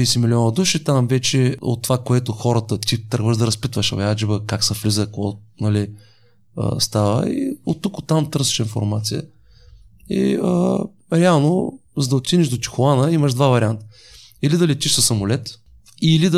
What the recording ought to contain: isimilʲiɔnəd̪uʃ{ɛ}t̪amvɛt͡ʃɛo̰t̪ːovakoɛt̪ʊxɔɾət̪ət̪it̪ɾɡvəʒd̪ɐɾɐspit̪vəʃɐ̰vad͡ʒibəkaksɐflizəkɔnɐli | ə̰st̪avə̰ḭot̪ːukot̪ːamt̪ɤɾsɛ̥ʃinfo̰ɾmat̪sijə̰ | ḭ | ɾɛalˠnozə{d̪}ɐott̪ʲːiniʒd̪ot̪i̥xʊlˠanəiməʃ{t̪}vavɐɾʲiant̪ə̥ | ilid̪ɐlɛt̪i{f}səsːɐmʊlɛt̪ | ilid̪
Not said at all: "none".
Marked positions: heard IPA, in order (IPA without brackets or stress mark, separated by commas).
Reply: i, d̪, d̪, ʃ